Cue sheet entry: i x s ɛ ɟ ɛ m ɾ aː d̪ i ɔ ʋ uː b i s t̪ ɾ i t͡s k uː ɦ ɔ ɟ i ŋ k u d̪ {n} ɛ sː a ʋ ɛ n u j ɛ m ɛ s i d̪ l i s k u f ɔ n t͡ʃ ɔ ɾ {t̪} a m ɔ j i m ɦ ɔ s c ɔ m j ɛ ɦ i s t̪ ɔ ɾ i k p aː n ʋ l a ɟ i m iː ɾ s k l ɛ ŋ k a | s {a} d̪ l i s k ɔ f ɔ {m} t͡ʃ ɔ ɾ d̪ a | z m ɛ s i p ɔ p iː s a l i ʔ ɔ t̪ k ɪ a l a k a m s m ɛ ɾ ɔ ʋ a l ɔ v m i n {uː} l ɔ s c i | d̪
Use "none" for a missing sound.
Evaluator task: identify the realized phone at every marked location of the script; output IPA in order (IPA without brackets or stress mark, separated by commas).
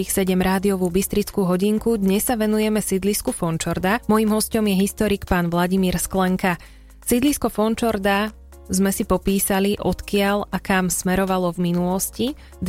ɲ, d̪, i, n, u